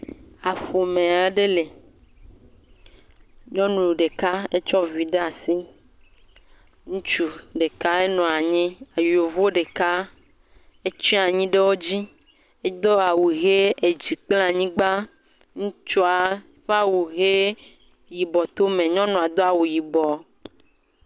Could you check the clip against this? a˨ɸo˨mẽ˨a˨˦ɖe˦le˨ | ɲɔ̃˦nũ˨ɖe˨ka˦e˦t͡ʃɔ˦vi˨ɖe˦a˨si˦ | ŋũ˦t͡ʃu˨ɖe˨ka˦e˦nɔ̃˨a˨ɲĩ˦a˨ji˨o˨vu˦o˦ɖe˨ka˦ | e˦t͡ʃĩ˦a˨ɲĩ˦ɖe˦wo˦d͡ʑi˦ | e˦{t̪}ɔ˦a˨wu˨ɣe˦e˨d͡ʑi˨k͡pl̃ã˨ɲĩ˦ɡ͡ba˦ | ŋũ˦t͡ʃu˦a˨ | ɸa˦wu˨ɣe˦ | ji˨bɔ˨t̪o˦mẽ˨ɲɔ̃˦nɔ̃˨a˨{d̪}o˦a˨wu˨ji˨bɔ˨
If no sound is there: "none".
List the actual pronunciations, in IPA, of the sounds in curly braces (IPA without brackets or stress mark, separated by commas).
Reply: d̪, d̪